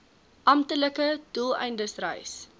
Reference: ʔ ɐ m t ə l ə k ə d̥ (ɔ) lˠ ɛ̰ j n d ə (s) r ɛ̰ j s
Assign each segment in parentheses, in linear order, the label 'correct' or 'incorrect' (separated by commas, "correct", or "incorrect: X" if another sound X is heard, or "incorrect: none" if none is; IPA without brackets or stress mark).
incorrect: u, correct